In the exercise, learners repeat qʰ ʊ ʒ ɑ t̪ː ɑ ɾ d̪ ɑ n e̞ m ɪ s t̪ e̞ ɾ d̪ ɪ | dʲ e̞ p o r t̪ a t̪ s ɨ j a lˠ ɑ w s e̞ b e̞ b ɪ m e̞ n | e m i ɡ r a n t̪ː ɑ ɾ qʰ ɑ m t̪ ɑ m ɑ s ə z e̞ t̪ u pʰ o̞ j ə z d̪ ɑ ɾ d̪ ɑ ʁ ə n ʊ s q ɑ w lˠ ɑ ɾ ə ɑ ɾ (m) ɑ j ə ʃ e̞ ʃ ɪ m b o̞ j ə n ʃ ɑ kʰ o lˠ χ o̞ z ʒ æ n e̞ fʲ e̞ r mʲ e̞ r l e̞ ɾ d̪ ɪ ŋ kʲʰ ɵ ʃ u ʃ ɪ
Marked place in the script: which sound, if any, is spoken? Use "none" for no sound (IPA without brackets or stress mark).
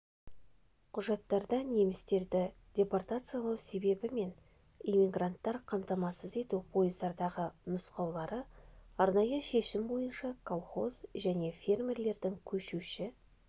n